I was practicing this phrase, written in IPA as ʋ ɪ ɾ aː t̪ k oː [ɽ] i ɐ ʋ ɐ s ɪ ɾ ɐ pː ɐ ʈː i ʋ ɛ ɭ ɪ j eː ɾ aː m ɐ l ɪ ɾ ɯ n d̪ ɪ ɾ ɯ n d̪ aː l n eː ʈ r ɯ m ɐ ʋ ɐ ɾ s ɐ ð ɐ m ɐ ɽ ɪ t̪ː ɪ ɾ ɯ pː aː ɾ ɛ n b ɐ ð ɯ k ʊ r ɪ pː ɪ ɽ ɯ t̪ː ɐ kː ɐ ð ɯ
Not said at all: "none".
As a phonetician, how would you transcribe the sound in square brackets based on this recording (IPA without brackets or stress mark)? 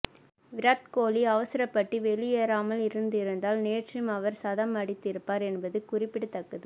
l